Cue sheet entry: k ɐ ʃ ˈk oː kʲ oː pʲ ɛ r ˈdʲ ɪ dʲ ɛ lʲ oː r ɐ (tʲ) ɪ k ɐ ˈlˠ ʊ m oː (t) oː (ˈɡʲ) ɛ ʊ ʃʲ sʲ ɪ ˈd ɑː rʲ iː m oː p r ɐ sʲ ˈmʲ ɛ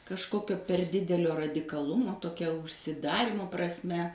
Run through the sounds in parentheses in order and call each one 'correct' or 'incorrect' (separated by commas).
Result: incorrect, correct, incorrect